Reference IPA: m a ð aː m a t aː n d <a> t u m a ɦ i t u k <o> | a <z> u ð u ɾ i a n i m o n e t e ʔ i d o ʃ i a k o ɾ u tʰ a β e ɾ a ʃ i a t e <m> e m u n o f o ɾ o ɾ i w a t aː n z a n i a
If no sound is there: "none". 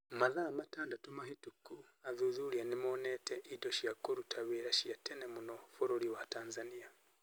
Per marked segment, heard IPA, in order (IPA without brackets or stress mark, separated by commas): a, u, ð, n